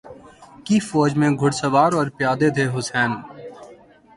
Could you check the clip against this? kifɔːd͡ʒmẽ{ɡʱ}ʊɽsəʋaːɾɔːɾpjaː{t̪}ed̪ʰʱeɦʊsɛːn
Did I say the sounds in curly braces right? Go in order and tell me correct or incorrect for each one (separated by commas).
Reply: correct, incorrect